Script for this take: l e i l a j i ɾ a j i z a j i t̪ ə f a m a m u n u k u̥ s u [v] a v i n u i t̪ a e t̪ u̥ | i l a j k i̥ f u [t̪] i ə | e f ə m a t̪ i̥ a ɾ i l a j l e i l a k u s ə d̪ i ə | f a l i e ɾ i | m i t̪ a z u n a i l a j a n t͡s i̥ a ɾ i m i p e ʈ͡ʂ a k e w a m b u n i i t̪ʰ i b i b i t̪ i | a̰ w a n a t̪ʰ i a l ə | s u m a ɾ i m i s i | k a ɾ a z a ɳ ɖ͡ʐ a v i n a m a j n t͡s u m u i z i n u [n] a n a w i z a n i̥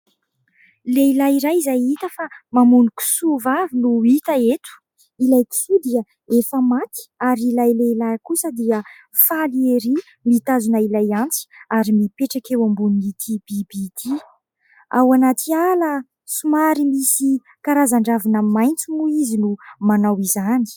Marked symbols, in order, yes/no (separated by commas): yes, no, no